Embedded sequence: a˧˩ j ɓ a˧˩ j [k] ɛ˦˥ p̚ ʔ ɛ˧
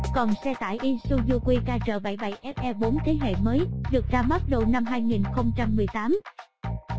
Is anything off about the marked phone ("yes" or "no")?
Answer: yes